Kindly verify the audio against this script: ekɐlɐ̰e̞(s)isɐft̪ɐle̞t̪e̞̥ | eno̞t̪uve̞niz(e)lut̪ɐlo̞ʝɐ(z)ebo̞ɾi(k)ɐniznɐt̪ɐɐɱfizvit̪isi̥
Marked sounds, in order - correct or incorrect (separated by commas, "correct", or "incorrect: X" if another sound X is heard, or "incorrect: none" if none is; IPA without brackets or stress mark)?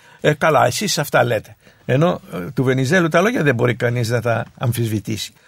correct, correct, incorrect: ð, correct